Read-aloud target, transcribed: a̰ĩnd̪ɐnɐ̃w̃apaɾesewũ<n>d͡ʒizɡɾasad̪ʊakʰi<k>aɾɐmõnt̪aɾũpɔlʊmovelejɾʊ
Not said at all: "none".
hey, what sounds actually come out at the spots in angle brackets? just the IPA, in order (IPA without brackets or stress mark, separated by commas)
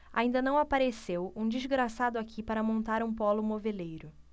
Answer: none, p